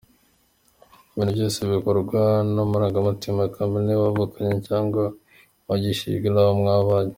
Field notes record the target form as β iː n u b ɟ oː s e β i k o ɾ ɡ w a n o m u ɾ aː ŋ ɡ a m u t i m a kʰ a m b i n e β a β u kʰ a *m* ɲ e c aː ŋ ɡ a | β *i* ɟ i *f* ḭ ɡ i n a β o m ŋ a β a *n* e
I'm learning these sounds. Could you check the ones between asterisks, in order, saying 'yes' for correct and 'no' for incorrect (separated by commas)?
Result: no, no, no, no